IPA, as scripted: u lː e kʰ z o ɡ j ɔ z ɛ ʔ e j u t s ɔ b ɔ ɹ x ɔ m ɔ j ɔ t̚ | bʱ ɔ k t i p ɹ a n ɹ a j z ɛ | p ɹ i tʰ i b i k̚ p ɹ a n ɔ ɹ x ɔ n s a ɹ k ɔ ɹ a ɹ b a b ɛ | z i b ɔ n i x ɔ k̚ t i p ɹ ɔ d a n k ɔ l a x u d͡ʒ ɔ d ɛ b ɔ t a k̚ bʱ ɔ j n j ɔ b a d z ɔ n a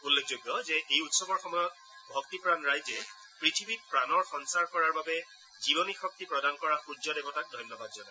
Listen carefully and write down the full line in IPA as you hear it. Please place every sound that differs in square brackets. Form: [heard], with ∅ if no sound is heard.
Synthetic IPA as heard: u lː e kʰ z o ɡ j ɔ z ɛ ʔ e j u t s ɔ b ɔ ɹ x ɔ m ɔ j ɔ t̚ | bʱ ɔ k t i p ɹ a n ɹ a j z ɛ | p ɹ i tʰ i b i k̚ p ɹ a n ɔ ɹ x ɔ n s a ɹ k ɔ ɹ a ɹ b a b ɛ | z i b ɔ n i x ɔ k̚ t i p ɹ ɔ d a n k ɔ [ɹ] a x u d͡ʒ ɔ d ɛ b ɔ t a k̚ [dʱ] ɔ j n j ɔ b a d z ɔ n a